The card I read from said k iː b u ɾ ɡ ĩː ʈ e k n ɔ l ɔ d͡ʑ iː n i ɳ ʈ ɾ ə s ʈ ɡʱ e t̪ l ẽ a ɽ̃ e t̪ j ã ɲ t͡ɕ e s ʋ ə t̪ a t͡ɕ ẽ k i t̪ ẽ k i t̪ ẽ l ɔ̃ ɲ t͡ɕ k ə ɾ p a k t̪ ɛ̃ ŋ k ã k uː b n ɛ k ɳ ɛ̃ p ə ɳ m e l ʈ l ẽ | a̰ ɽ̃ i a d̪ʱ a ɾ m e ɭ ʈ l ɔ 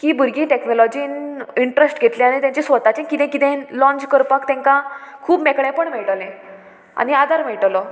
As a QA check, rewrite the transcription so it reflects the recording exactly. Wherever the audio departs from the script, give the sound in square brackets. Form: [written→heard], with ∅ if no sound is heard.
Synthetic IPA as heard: k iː b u ɾ ɡ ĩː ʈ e k n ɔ l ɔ d͡ʑ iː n i ɳ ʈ ɾ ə s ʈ ɡʱ e t̪ l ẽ a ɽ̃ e t̪ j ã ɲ t͡ɕ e s ʋ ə t̪ a t͡ɕ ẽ k i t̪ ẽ k i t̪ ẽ l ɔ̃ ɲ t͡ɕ k ə ɾ p a k t̪ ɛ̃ ŋ k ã [k→kʰ] uː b [n→m] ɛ k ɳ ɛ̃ p ə ɳ m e [l→ɭ] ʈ l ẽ | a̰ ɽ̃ i a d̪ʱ a ɾ m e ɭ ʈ l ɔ